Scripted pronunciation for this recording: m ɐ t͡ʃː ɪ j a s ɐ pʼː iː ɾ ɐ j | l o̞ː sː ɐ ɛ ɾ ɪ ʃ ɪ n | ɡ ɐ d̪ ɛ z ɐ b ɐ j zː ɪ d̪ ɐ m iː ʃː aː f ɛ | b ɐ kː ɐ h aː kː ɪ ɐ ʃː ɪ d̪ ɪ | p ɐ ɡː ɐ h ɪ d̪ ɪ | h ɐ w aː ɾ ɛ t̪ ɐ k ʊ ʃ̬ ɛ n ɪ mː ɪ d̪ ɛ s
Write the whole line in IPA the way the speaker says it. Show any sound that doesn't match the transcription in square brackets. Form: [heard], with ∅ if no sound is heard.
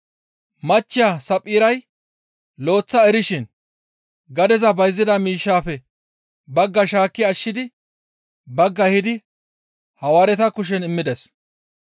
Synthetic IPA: m ɐ t͡ʃː ɪ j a s ɐ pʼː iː ɾ ɐ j | l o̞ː [t͡sː] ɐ ɛ ɾ ɪ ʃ ɪ n | ɡ ɐ d̪ ɛ z ɐ b ɐ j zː ɪ d̪ ɐ m iː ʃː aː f ɛ | b ɐ [ɡː] ɐ [ʃ] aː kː ɪ ɐ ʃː ɪ d̪ ɪ | [b] ɐ ɡː ɐ h ɪ d̪ ɪ | h ɐ w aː ɾ ɛ t̪ ɐ k ʊ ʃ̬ ɛ n ɪ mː ɪ d̪ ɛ s